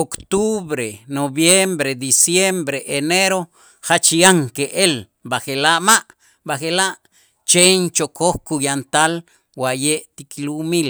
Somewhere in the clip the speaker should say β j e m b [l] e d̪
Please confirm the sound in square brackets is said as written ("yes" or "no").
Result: no